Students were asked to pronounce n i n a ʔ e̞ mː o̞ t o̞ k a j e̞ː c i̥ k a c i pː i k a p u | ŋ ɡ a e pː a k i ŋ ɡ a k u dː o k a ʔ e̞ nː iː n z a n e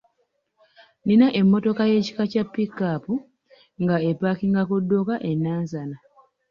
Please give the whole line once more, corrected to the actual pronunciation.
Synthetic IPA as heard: n i n a ʔ e̞ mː o̞ t o̞ k a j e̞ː c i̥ k a c a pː i k a p u | ŋ ɡ a e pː a k i ŋ ɡ a k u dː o k a ʔ e̞ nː aː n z a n a